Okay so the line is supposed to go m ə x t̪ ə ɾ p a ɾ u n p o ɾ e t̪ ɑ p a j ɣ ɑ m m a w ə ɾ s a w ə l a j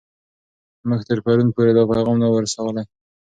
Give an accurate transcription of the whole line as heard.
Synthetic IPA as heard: m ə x t̪ ə ɾ p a ɾ u n p o ɾ e d̪ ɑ p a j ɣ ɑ m n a w ə ɾ s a w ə l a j